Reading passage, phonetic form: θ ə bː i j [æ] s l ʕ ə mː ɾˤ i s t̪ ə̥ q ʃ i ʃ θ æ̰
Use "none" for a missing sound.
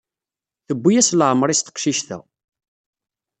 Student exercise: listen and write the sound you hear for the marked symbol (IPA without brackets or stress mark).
æ